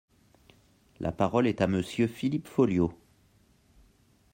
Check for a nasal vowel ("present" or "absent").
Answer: absent